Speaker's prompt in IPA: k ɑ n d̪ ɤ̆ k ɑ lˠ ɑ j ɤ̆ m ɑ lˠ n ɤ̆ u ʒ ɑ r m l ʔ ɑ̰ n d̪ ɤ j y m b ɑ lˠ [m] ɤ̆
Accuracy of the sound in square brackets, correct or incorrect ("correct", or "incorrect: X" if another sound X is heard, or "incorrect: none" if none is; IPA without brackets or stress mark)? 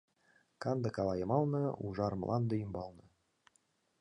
incorrect: n